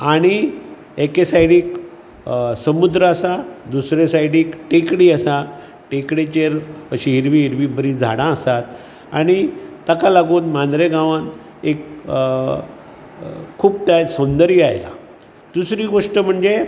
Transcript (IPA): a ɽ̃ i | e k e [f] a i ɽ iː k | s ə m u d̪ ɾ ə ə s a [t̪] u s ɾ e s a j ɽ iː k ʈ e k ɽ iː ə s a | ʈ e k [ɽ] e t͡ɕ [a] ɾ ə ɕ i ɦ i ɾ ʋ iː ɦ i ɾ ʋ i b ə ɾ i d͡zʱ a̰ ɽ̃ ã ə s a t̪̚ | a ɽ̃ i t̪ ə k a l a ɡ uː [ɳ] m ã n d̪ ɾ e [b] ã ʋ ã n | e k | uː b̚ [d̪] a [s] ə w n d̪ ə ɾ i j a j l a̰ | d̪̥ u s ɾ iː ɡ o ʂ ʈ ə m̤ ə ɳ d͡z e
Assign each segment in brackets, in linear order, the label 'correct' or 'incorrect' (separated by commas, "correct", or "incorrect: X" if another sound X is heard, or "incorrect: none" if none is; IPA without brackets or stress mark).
incorrect: s, incorrect: d̪, correct, incorrect: e, incorrect: n, incorrect: ɡ, incorrect: t̪, correct